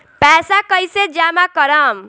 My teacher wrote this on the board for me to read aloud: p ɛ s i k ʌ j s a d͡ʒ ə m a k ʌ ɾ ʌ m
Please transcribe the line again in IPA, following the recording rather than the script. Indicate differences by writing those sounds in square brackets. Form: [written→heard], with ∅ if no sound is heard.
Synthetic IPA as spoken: p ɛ s [i→a] k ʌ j s [a→e] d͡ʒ [ə→a] m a k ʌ ɾ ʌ m